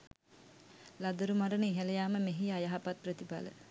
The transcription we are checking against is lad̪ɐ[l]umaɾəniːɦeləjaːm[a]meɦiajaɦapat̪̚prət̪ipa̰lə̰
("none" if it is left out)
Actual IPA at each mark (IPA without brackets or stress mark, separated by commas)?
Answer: ɾ, ə